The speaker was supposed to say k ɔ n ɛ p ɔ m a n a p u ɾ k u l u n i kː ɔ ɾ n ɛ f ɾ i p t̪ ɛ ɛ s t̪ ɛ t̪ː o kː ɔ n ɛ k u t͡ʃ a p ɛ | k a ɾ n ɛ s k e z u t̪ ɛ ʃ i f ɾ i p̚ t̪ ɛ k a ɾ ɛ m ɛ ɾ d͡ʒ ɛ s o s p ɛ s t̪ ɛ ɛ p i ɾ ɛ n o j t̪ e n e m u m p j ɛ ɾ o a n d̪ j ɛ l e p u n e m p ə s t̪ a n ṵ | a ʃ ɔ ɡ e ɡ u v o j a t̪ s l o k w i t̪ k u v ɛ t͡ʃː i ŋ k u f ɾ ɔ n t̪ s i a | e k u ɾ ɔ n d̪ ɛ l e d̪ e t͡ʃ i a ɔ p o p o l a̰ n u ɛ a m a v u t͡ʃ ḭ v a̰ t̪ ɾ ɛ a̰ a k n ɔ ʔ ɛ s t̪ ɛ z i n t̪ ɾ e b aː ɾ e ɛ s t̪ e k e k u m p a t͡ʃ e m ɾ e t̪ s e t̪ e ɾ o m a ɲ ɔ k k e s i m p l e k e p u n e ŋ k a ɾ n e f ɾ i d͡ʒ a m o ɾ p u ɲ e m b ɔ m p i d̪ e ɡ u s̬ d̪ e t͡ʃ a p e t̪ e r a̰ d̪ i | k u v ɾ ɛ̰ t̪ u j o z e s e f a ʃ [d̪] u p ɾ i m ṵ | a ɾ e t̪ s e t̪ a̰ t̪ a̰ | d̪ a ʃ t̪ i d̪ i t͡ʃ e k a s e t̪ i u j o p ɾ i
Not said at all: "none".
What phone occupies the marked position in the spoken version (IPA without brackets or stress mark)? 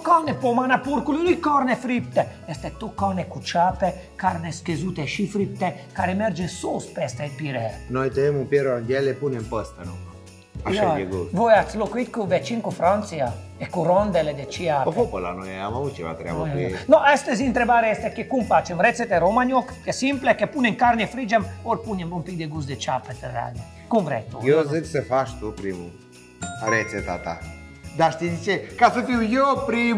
t̪